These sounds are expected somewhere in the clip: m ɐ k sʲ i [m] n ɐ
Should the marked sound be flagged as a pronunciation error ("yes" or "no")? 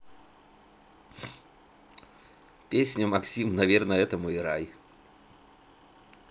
no